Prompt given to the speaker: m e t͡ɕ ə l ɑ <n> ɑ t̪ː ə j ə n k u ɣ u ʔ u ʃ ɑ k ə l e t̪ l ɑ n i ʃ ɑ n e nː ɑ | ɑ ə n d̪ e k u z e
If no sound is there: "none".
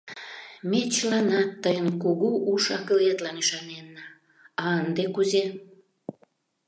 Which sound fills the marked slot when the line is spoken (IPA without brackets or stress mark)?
n